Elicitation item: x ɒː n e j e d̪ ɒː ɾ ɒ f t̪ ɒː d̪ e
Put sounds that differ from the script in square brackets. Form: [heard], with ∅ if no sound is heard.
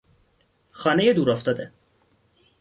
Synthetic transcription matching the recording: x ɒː n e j e d̪ [uː] ɾ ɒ f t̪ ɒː d̪ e